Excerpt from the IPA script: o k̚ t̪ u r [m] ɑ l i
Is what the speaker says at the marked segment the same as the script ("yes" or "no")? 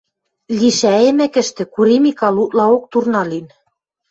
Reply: no